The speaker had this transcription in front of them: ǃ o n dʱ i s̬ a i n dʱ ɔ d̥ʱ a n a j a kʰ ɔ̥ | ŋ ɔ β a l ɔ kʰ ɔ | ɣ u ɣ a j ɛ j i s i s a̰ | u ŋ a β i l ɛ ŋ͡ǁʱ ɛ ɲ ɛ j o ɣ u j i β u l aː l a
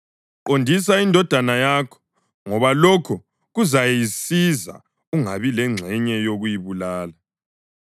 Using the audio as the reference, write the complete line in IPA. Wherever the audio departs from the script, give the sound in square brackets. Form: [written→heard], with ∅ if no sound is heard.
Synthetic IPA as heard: ǃ o n dʱ i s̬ a i n dʱ ɔ d̥ʱ a n a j a kʰ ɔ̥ | ŋ ɔ β a l ɔ kʰ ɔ | ɣ u [ɣ→z] a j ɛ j i s i [s→z] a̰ | u ŋ a β i l ɛ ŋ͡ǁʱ ɛ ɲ ɛ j o ɣ u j i β u l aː l a